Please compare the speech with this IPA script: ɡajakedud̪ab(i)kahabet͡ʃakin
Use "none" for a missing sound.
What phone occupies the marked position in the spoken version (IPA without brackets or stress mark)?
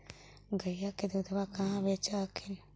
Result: a